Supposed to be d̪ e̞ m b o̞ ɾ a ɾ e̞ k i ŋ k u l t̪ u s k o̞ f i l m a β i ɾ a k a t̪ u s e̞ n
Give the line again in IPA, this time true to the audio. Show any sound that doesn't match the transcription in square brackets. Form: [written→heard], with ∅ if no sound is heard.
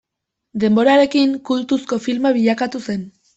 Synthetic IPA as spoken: d̪ e̞ m b o̞ ɾ a ɾ e̞ k i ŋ k u l t̪ u s k o̞ f i l m a β i [ɾ→ʎ] a k a t̪ u s e̞ n